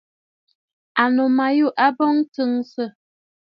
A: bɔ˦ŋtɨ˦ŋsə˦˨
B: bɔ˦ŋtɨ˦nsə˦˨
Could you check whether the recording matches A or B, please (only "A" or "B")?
A